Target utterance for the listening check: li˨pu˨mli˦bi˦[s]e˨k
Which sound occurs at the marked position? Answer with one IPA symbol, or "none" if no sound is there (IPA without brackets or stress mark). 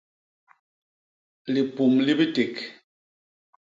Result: t